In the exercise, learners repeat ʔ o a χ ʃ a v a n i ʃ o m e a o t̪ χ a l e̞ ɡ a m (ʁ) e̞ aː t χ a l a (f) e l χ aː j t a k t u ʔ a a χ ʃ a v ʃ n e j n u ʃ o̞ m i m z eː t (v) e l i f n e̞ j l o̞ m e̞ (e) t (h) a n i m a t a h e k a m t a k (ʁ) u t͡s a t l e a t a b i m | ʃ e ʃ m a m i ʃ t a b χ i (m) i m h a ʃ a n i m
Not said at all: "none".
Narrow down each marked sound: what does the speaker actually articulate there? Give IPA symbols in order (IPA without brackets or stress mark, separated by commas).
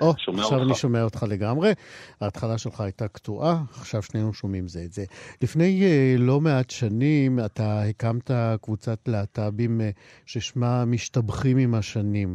ʁ, ʃ, z, a, ʃ, v, m